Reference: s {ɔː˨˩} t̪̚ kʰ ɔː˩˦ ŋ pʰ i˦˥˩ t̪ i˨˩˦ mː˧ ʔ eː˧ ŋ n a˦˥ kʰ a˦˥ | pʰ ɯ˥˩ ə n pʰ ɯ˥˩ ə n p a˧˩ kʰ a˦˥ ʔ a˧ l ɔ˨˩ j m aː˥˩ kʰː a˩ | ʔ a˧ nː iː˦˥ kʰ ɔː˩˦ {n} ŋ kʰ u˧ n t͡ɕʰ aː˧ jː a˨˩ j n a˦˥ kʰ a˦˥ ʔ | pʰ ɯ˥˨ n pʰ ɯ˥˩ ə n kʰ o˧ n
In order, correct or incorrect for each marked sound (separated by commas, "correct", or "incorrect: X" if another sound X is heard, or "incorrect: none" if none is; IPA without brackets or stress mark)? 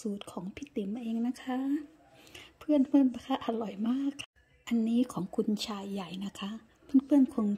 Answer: incorrect: uː˨˩, incorrect: none